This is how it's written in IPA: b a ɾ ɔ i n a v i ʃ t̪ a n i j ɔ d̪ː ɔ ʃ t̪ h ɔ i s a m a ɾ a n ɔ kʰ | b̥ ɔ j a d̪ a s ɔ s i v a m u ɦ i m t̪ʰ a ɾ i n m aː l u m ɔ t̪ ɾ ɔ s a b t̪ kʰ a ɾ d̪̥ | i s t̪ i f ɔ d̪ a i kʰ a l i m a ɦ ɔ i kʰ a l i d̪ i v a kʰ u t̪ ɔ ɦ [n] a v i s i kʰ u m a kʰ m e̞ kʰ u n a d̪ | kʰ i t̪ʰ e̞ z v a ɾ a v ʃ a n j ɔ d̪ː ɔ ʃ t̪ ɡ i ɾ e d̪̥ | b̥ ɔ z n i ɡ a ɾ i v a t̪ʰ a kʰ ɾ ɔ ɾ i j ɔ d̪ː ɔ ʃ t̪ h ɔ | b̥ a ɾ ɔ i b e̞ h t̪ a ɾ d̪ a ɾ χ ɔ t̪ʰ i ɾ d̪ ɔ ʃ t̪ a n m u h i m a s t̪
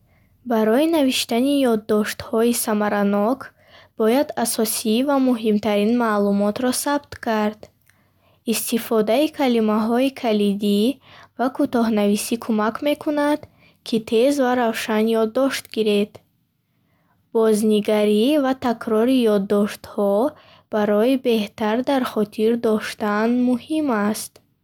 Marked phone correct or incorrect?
correct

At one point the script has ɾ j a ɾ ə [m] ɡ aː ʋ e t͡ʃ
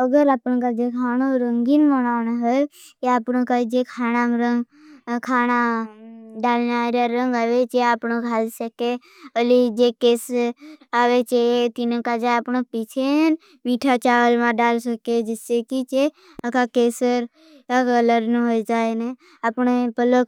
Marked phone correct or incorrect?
incorrect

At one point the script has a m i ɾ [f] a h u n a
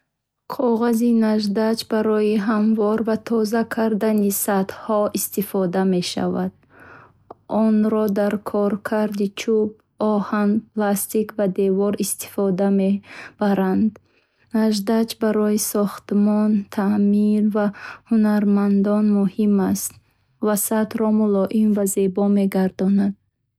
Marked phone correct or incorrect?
incorrect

